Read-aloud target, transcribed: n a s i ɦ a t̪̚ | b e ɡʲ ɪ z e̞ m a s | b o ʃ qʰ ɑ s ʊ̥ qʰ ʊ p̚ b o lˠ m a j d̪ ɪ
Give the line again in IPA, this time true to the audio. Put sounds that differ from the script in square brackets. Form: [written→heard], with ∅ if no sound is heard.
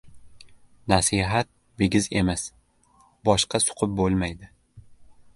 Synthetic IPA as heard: n a s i ɦ a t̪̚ | b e ɡʲ ɪ z e̞ m a s | b [o→ɒ] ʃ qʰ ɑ s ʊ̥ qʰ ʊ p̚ b o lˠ m a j d̪ ɪ